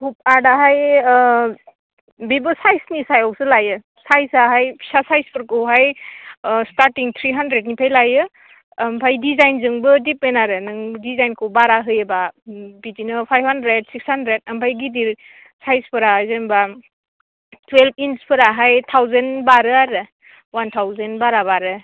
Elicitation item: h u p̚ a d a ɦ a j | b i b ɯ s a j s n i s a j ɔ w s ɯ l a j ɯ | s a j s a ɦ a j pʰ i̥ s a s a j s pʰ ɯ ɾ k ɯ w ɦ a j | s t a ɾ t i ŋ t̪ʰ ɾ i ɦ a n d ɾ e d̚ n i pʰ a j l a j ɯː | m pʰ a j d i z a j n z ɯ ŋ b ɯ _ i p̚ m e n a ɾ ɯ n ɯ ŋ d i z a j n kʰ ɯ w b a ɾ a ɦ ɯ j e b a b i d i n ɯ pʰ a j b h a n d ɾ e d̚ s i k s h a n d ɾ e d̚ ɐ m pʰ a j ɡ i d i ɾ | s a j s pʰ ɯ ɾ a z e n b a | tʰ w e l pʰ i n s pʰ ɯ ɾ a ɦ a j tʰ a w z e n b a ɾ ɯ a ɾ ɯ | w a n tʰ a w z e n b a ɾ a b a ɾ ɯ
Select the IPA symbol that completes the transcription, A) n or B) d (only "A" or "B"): B